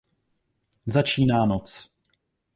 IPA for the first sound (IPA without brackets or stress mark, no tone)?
z